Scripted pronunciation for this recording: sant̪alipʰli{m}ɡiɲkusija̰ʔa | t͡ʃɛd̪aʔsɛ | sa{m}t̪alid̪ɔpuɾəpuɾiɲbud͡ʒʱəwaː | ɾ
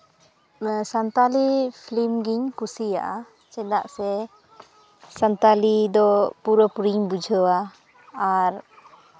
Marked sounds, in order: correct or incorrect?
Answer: correct, incorrect

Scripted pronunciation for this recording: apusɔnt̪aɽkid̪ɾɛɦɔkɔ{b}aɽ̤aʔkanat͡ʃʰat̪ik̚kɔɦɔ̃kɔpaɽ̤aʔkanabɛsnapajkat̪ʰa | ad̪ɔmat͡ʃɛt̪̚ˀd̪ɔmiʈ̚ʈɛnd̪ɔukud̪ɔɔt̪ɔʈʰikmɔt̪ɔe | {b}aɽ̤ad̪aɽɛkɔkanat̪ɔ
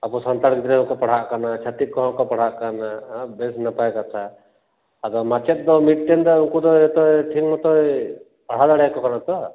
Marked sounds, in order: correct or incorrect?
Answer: incorrect, incorrect

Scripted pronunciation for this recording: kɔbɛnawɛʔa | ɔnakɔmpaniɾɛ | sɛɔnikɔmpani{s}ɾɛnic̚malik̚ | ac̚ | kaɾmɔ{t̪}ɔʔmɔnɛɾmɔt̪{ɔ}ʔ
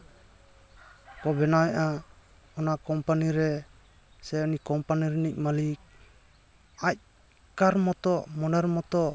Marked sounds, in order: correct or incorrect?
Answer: incorrect, correct, correct

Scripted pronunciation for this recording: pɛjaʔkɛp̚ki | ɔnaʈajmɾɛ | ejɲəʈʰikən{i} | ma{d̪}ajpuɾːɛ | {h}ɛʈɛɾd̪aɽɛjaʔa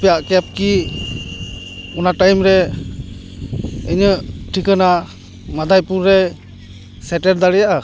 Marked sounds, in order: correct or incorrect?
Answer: incorrect, correct, incorrect

